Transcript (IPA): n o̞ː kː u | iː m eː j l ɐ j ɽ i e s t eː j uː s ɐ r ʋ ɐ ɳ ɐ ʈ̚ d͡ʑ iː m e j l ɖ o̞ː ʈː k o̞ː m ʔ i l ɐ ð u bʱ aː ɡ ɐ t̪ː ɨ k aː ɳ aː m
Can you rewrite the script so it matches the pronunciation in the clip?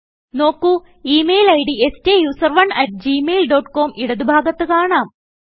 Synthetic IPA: n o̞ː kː u | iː m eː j l ɐ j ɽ i e s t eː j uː s ɐ r ʋ ɐ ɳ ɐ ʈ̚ d͡ʑ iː m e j l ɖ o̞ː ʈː k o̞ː m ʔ i ɽ ɐ ð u bʱ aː ɡ ɐ t̪ː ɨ k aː ɳ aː m